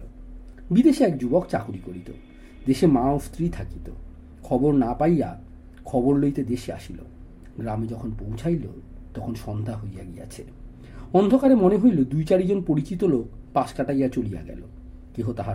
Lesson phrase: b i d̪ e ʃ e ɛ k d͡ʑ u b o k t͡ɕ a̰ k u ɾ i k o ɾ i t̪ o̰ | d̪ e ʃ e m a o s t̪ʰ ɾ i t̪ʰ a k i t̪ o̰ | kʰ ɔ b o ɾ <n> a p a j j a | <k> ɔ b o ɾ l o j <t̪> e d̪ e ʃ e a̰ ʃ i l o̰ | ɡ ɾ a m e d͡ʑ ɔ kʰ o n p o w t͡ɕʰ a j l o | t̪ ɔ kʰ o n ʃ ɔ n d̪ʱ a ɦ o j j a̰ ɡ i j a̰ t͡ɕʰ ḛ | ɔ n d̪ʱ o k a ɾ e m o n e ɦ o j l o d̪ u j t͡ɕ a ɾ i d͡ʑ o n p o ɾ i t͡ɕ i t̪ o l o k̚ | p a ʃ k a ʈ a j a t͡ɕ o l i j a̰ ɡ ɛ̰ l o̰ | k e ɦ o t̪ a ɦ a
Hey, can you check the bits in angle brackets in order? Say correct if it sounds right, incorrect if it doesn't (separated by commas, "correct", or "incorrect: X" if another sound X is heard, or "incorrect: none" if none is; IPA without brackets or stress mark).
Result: correct, incorrect: kʰ, correct